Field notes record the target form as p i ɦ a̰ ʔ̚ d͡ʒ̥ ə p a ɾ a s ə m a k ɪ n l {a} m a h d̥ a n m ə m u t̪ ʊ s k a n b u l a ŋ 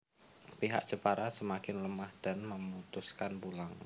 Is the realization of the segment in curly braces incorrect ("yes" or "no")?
yes